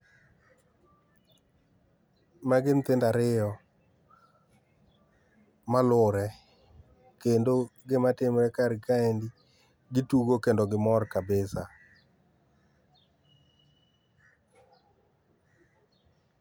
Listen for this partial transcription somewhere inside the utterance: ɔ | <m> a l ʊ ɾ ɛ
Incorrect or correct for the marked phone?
correct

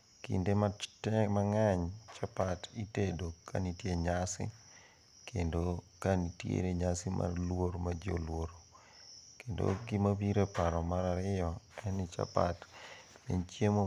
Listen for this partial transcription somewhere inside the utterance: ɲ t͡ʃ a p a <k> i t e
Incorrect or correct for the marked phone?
incorrect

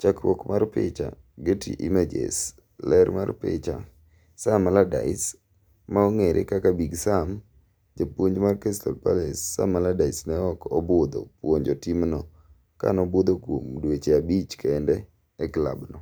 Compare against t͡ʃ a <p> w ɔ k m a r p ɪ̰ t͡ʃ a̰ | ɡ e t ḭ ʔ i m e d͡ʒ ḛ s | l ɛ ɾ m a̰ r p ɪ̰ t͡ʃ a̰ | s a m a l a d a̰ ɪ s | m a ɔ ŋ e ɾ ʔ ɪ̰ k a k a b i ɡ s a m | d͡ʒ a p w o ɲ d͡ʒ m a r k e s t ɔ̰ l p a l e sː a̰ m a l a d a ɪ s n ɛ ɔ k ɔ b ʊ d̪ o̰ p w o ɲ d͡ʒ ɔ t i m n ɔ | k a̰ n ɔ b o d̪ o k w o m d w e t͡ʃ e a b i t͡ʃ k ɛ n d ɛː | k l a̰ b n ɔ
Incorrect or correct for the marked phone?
incorrect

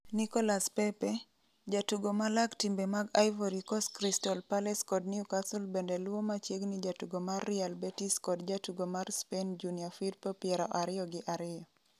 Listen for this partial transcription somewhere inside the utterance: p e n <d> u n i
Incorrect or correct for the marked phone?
incorrect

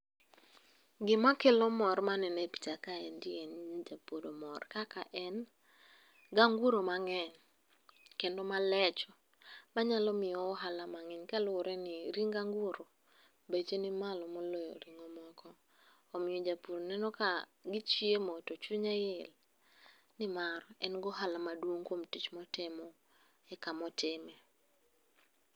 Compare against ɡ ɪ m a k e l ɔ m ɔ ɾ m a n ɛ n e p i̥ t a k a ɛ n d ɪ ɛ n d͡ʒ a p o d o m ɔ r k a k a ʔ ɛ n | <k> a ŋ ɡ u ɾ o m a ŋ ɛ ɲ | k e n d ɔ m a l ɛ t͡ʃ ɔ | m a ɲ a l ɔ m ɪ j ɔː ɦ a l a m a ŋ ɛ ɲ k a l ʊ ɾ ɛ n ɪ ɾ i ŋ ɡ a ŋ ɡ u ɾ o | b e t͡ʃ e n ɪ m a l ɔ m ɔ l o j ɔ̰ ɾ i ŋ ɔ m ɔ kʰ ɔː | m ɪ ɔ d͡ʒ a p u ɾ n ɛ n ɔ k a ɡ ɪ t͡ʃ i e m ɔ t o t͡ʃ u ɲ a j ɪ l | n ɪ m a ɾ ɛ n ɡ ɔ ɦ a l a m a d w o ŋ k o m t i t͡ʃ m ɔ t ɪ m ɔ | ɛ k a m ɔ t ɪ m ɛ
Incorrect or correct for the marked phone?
incorrect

